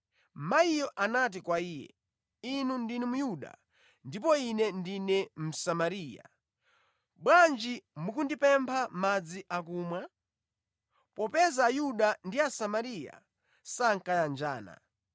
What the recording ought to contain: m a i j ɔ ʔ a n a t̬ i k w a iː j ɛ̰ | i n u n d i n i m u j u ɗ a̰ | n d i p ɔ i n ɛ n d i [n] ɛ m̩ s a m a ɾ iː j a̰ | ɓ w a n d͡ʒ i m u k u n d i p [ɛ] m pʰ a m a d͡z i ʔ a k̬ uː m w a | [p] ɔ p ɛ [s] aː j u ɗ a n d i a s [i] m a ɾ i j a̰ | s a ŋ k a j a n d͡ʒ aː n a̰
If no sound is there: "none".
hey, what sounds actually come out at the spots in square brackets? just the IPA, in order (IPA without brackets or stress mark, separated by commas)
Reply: n, ɛ, p, z, a